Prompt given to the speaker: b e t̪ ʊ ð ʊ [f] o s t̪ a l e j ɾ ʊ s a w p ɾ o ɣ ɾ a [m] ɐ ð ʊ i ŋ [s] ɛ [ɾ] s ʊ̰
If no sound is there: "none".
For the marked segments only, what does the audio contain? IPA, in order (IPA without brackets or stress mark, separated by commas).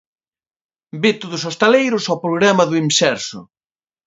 s, m, s, ɾ